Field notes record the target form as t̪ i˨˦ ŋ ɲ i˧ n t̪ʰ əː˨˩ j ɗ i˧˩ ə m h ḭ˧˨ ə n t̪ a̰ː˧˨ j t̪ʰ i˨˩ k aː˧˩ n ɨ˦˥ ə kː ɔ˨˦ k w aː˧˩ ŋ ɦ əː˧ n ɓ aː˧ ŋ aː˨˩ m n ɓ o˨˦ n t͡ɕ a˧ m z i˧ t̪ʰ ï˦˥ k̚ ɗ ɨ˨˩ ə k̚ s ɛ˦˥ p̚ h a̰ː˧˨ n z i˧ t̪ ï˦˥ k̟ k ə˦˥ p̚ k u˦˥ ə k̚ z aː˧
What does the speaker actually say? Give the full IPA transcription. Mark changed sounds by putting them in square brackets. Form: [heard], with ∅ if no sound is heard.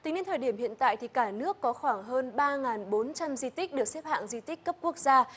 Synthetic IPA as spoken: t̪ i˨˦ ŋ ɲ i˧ n t̪ʰ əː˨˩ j ɗ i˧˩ ə m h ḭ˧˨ ə n t̪ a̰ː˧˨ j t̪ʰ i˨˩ k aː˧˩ n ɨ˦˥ ə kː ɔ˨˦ [x] w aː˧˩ ŋ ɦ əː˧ n ɓ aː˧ ŋ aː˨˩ [∅] n ɓ o˨˦ n t͡ɕ a˧ m z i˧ [t̪] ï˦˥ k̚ ɗ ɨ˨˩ ə k̚ s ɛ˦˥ p̚ h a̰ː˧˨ [ŋ] z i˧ t̪ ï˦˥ k̟ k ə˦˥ p̚ k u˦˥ ə k̚ z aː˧